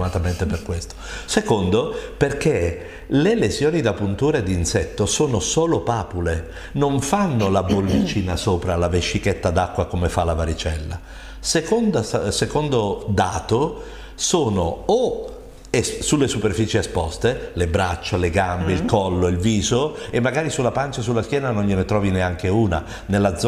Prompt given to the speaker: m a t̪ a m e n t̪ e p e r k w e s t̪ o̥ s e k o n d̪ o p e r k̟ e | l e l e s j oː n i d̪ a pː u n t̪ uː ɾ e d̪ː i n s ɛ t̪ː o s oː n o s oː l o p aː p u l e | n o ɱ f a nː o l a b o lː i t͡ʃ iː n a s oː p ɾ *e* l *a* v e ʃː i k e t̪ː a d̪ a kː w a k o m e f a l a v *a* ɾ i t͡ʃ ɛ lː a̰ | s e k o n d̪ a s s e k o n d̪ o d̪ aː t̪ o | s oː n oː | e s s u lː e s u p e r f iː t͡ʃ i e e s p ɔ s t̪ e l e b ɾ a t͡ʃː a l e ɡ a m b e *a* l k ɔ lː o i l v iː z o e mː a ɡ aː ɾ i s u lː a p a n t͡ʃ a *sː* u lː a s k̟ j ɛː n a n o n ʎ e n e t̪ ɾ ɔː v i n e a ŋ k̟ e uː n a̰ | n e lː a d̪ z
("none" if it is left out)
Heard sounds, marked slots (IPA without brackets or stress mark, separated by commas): a, a, a, i, s